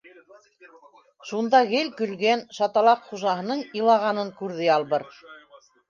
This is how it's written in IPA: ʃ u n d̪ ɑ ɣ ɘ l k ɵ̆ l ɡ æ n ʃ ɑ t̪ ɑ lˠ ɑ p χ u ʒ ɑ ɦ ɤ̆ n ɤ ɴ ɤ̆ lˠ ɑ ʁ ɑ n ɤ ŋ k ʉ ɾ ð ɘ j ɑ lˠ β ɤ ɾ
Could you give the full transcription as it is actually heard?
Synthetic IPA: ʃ u n d̪ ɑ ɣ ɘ l k ɵ̆ l ɡ æ n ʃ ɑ t̪ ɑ lˠ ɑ q χ u ʒ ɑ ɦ ɤ̆ n ɤ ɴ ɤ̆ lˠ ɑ ʁ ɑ n ɤ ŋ k ʉ ɾ ð ɘ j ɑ lˠ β ɤ ɾ